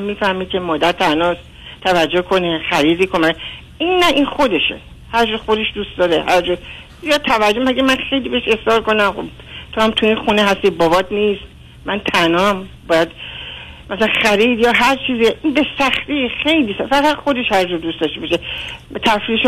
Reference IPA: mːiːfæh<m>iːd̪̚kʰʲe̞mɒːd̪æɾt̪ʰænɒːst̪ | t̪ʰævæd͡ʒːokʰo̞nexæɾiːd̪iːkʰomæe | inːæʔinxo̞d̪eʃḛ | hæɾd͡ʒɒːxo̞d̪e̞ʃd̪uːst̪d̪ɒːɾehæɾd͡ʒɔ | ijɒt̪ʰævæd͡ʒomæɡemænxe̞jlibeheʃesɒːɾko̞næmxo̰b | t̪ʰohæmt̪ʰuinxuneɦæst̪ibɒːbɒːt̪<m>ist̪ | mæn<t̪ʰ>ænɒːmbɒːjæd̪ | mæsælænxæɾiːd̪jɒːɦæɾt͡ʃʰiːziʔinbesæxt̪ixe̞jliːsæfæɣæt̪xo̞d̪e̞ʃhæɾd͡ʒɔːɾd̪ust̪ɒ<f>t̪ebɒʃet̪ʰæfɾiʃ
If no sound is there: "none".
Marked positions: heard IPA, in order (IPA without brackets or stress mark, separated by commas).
m, n, t̪ʰ, ʃ